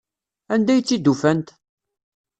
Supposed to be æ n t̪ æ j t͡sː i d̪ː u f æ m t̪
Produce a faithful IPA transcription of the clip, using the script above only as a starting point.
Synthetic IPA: æ n d̪ æ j t͡sː i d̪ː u f æ n t̪